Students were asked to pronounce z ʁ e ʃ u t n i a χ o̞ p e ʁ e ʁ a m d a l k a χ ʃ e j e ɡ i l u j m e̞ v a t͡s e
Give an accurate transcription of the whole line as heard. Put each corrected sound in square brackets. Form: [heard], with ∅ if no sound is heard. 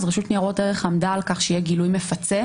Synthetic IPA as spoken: z ʁ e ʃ u t n i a [ʁ] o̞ [t] e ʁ e [χ] a m d a l k a χ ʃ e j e ɡ i l u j m e̞ [f] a t͡s e